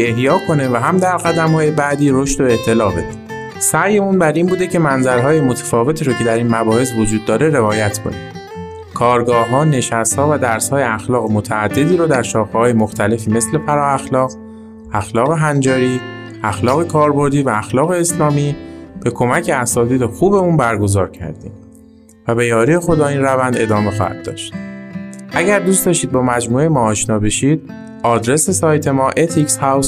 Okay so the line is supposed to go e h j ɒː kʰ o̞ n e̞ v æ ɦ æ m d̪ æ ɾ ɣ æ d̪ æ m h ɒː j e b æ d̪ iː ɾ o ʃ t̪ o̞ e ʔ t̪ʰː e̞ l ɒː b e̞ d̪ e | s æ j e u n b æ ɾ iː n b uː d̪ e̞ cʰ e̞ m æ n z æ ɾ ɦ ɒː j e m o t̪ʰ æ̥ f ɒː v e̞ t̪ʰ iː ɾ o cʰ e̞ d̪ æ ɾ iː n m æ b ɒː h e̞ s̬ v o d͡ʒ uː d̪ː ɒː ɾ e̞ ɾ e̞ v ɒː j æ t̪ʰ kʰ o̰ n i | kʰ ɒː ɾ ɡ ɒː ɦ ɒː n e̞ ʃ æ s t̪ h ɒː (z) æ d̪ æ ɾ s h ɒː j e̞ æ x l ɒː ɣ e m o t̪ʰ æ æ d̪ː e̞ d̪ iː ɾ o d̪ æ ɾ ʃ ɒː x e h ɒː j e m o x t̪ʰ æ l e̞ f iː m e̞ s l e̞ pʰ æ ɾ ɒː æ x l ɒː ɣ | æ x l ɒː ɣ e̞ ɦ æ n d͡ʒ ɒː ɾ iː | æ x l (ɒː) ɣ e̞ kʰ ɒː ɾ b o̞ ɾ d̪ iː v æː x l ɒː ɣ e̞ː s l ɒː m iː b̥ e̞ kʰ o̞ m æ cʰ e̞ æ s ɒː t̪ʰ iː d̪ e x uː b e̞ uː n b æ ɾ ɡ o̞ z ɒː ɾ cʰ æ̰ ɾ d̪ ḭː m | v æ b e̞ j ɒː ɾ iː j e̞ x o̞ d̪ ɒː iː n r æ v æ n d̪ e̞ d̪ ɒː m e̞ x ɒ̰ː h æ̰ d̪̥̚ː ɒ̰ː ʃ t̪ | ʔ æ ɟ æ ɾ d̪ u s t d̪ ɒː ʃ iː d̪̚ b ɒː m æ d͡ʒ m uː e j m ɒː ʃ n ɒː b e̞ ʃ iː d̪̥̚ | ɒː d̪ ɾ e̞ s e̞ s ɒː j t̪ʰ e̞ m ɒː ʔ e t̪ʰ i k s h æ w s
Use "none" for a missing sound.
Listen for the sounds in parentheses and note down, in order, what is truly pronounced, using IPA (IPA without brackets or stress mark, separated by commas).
v, ɒː